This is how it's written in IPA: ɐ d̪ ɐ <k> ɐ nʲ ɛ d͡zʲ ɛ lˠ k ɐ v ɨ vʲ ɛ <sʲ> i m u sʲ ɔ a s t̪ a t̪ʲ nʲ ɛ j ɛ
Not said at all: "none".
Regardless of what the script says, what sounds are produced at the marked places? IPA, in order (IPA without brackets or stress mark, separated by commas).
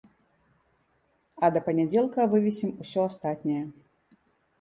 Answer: p, sʲ